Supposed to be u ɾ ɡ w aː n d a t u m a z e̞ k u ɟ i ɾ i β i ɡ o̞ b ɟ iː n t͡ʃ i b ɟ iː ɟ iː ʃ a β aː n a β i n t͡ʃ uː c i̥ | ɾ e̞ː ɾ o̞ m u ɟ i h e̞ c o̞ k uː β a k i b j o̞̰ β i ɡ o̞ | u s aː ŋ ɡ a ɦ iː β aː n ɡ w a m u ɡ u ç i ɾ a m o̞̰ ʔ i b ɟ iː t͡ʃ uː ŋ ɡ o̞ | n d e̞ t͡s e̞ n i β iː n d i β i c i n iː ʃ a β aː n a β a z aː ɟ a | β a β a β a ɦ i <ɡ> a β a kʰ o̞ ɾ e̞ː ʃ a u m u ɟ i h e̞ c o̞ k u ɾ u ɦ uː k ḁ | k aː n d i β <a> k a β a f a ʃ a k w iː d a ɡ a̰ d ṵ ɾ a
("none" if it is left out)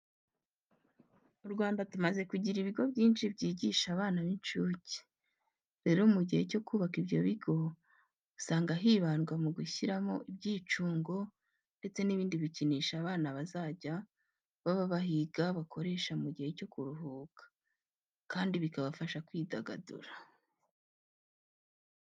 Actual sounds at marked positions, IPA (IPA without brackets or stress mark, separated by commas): ɡ, i